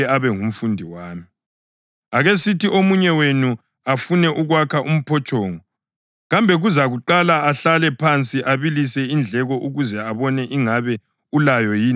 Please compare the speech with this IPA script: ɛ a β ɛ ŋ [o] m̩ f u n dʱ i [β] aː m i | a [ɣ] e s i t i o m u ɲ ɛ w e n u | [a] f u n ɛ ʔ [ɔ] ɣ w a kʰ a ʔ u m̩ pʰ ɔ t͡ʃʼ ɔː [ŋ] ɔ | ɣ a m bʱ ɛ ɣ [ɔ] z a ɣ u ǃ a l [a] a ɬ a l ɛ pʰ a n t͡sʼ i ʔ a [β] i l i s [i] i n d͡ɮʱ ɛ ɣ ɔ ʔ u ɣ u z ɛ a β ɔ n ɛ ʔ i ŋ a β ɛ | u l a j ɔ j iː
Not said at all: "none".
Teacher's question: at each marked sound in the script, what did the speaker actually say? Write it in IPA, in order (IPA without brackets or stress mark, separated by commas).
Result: u, w, ɣ, a, u, ŋ, u, a, β, ɛ